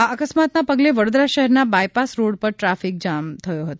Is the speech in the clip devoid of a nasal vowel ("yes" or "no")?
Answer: yes